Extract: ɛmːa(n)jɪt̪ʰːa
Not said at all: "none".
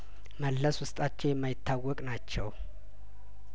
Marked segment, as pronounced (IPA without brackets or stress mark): none